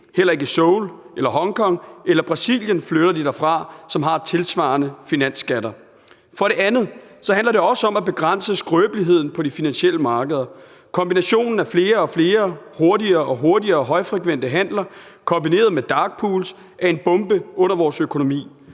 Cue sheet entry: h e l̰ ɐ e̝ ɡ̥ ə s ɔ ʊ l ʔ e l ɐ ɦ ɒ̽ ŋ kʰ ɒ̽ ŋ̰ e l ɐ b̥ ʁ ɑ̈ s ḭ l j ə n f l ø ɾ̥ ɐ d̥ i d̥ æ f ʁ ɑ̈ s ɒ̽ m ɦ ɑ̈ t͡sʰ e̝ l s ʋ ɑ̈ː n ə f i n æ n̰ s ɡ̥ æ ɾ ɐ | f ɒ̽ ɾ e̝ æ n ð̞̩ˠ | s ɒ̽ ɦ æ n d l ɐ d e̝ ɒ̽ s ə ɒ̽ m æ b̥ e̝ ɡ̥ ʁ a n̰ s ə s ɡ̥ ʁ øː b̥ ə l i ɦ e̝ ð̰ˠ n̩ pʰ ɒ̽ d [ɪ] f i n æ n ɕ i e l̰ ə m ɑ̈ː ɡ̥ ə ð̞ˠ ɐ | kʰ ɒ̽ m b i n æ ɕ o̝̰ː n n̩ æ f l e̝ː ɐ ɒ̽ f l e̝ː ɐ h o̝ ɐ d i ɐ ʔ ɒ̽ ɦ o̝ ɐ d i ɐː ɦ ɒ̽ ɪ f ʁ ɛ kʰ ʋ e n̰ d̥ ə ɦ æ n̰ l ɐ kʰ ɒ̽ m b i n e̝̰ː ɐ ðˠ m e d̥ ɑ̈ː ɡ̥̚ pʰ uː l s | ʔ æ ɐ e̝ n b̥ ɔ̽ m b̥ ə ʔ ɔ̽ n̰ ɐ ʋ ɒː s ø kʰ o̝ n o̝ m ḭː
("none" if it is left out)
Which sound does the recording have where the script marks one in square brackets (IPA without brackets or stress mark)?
i